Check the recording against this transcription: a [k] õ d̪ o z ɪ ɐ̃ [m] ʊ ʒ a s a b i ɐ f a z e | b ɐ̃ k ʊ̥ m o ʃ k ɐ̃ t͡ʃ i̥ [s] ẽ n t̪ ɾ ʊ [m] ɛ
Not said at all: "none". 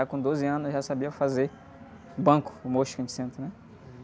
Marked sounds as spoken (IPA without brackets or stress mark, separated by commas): k, n, s, n